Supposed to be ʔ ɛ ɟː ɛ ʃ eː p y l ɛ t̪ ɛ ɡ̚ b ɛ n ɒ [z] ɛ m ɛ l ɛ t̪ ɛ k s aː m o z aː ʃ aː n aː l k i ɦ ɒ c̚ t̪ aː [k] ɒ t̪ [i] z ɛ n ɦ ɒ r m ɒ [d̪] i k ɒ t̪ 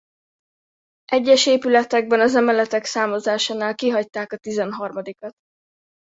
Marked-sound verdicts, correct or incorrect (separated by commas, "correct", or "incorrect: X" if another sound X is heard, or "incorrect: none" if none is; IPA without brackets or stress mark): correct, correct, correct, correct